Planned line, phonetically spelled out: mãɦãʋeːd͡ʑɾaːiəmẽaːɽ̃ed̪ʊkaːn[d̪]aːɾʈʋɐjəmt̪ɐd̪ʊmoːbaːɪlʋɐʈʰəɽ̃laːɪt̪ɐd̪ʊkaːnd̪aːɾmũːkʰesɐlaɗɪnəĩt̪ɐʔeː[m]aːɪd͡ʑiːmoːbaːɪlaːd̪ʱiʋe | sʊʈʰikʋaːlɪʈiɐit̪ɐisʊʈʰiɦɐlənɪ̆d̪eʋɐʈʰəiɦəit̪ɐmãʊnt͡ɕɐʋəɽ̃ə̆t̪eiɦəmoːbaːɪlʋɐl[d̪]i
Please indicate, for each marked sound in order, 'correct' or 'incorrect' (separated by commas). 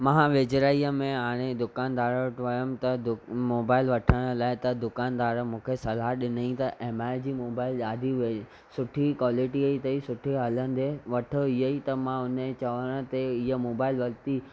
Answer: correct, correct, incorrect